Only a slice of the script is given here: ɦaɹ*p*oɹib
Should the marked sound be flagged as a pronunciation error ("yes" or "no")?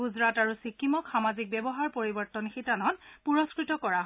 no